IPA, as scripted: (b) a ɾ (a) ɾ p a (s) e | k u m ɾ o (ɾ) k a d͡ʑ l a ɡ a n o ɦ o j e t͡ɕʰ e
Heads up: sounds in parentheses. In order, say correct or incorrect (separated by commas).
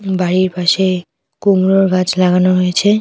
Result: correct, incorrect, incorrect, correct